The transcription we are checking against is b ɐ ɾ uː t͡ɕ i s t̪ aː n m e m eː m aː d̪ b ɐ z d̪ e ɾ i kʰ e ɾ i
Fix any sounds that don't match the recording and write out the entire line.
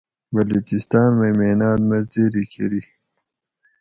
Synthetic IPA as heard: b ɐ l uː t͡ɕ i s t̪ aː n m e m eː n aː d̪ m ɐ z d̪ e ɾ i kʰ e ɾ i